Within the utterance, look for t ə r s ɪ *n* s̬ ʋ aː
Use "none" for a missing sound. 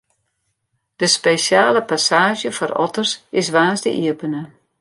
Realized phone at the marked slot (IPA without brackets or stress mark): none